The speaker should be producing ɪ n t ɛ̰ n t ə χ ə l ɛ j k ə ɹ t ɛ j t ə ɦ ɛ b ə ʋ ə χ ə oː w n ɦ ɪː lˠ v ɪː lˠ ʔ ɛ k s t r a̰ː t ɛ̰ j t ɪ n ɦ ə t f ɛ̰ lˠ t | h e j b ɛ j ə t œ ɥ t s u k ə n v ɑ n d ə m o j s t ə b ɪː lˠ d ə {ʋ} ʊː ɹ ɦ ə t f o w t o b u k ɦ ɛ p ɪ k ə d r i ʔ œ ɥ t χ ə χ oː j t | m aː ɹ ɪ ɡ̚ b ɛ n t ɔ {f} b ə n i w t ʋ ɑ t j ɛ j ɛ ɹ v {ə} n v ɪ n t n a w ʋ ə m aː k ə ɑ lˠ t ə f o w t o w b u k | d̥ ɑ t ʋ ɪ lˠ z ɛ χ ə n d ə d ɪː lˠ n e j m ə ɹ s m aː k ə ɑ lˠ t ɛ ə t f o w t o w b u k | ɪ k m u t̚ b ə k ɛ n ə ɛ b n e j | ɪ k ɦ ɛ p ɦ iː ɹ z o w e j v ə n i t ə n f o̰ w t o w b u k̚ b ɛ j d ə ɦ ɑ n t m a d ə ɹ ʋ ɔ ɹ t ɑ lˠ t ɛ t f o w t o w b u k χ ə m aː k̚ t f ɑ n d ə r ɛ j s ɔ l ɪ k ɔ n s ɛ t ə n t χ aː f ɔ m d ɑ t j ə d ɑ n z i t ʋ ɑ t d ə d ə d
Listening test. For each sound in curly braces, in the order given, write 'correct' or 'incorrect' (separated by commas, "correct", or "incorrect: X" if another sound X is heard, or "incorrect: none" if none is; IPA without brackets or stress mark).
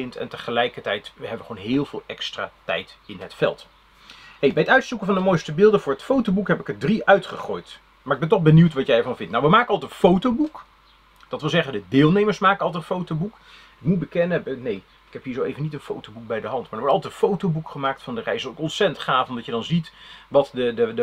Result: incorrect: v, incorrect: χ, incorrect: ɑ